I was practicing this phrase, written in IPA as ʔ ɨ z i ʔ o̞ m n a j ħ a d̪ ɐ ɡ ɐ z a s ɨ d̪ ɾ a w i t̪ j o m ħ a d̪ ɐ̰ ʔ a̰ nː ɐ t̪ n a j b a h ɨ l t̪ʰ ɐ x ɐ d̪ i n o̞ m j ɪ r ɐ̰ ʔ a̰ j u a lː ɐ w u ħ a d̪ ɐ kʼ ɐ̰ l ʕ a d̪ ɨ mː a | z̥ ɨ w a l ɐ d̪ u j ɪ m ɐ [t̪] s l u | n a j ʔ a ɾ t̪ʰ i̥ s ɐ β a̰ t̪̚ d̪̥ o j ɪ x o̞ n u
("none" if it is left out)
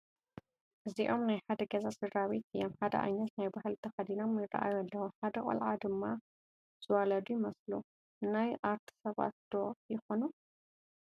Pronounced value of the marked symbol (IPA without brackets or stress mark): none